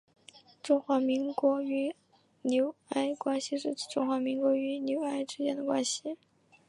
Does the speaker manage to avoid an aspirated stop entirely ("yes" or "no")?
yes